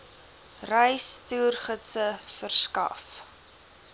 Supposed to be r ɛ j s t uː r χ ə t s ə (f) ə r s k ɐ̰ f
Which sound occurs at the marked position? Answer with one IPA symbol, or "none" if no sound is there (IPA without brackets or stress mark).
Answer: f